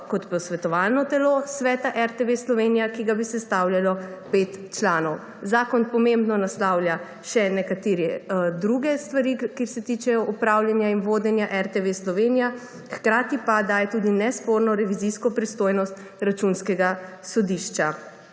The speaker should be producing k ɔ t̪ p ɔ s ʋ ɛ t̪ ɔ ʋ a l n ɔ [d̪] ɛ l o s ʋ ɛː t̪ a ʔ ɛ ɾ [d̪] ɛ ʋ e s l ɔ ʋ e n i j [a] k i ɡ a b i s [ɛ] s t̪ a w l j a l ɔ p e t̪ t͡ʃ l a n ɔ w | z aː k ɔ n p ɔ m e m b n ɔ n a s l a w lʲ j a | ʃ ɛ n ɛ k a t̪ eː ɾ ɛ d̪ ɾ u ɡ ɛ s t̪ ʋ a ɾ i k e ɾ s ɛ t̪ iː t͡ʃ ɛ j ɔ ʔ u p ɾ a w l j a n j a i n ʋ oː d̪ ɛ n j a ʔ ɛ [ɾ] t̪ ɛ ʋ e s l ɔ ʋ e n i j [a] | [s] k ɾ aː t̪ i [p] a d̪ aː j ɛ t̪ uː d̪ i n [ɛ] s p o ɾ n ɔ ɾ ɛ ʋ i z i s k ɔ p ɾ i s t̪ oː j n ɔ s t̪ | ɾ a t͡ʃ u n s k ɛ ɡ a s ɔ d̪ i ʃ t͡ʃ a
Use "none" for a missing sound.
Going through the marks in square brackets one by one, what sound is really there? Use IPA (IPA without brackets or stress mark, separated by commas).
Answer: t̪, t̪, a, ɛ, ɾ, a, x, p, ɛ